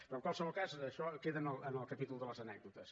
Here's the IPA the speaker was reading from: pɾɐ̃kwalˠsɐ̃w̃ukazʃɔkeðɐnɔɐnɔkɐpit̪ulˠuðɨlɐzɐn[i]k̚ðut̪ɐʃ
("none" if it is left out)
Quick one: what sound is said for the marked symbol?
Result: ɛ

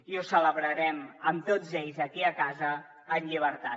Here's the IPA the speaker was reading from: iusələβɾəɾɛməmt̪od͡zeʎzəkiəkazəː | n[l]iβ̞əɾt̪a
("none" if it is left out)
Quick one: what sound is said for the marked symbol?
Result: ʎ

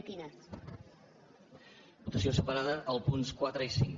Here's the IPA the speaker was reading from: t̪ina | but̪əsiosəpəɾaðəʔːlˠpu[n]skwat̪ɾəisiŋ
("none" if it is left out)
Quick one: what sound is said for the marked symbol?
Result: n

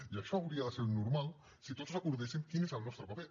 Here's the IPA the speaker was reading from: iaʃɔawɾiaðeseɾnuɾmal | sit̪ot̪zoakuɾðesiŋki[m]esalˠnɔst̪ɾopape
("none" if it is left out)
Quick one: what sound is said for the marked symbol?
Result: n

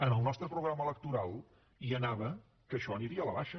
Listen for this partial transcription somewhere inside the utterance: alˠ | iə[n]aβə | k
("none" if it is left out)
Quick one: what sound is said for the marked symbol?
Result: n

